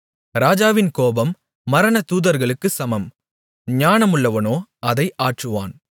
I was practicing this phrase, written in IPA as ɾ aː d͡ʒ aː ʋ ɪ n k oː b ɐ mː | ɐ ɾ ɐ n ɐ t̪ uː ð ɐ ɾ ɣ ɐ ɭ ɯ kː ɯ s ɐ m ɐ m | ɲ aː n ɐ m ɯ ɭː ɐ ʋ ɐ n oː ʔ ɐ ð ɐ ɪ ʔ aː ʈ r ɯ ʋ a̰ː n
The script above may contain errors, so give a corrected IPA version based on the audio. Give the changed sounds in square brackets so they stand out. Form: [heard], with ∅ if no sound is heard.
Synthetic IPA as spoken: ɾ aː d͡ʒ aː ʋ ɪ n k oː b ɐ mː | ɐ ɾ ɐ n ɐ t̪ uː ð ɐ ɾ ɣ ɐ ɭ ɯ kː ɯ s ɐ m ɐ m | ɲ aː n ɐ m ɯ ɭː ɐ ʋ ɐ n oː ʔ ɐ ð ɐ ɪ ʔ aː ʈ r ɯ ʋ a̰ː n